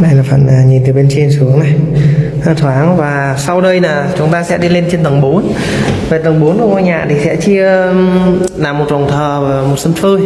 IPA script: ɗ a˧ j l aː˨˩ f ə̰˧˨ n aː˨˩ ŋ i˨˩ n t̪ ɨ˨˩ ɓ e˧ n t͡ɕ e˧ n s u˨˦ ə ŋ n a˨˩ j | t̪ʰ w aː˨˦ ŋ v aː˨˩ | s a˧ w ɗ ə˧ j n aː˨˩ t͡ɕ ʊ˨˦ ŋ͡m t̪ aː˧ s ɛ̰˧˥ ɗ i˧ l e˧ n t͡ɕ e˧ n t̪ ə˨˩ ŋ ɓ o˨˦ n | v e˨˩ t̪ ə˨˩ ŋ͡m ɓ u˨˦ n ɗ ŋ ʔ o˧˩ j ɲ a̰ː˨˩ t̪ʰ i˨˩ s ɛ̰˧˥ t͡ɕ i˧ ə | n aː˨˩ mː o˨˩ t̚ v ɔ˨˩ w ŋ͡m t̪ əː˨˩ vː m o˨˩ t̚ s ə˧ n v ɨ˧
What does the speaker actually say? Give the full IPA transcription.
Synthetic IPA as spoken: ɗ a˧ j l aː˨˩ f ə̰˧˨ n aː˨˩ ɲ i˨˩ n t̪ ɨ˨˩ ɓ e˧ n t͡ɕ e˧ n s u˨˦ ə ŋ n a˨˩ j | t̪ʰ w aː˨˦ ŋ v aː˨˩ | s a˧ w ɗ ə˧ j n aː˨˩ t͡ɕ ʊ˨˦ ŋ͡m t̪ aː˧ s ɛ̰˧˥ ɗ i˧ l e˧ n t͡ɕ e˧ n t̪ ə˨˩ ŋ ɓ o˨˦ n | v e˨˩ t̪ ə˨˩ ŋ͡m ɓ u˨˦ n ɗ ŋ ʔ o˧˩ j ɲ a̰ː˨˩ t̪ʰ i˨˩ s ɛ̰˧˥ t͡ɕ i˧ ə | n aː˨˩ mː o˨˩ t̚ v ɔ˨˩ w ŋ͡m t̪ʰ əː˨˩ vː m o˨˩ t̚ s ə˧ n f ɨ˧